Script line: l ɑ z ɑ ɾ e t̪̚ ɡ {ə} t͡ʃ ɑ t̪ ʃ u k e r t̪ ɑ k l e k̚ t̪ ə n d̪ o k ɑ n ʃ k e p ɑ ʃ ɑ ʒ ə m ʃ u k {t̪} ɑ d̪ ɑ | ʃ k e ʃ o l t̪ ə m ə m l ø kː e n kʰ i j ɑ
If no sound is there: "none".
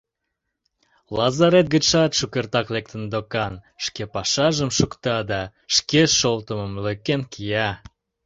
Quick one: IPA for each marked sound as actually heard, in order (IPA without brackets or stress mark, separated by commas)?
ə, t̪